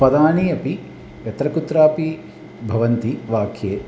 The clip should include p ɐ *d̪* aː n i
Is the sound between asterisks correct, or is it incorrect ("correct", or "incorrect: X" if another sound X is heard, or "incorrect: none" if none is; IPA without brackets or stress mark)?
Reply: correct